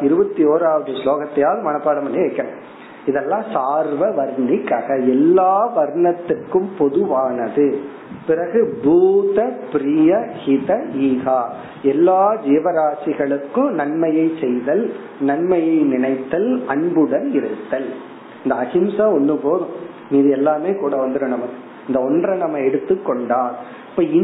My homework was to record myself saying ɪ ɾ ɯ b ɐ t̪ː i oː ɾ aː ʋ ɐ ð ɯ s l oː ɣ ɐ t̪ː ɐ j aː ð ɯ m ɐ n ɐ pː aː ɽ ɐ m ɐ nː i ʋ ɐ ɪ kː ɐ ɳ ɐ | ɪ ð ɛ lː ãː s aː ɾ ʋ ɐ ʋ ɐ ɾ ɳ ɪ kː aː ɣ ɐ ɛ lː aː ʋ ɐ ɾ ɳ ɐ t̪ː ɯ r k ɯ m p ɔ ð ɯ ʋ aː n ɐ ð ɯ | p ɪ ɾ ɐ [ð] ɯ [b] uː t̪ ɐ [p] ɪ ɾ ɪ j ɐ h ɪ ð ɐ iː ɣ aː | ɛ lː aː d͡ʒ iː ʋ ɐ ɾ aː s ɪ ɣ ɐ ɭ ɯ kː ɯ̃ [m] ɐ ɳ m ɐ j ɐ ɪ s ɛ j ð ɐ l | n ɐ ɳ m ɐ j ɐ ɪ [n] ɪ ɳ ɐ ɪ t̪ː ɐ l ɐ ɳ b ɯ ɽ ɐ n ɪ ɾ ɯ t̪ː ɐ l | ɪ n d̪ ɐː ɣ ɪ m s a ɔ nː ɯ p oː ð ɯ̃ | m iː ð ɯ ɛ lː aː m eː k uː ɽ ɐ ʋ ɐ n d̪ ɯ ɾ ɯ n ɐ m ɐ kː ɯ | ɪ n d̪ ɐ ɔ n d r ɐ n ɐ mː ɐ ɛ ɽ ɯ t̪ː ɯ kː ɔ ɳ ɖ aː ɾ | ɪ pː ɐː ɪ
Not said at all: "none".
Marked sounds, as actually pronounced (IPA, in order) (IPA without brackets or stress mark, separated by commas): ɣ, b, p, n, n